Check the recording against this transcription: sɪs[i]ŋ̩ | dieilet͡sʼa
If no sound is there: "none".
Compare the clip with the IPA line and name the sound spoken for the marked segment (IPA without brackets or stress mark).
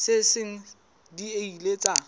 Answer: ɪ